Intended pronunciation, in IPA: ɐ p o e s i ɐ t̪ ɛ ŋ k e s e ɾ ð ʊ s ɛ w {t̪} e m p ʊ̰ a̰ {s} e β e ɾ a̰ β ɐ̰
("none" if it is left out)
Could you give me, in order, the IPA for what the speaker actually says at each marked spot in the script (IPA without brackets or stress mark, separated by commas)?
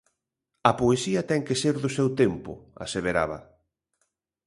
t̪, s